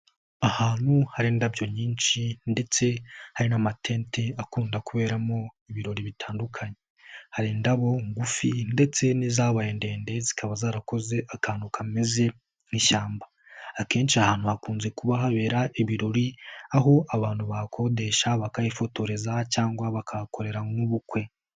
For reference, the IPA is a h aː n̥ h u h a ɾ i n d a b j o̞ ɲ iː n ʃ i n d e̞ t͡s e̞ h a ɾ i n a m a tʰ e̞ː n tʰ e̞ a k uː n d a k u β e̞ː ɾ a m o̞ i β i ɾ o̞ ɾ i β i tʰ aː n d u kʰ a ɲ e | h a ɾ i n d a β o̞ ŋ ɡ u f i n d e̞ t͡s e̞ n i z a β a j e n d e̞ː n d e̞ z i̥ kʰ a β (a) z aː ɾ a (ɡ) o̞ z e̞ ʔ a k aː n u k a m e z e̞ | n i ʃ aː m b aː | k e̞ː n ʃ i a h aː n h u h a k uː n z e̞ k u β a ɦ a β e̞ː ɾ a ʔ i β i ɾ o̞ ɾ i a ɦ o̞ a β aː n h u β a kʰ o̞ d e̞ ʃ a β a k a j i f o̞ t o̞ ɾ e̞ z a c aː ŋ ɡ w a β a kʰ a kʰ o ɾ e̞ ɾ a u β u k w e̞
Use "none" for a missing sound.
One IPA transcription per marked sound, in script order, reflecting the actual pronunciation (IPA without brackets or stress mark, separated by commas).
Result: a, k